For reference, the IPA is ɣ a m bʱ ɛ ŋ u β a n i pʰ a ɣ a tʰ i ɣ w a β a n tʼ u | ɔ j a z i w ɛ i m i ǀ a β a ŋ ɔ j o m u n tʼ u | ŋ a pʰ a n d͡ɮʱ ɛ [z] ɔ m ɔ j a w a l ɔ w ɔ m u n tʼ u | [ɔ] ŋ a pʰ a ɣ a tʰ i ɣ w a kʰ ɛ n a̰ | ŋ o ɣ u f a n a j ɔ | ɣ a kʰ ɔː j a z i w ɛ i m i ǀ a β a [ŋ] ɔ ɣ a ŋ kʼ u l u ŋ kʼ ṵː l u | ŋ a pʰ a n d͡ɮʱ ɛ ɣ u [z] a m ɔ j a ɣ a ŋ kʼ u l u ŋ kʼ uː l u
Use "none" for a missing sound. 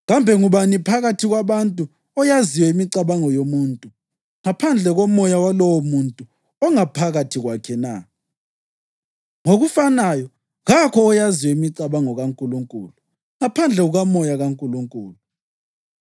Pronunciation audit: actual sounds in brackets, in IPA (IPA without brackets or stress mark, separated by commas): ɣ, ɔ, ŋ, ɣ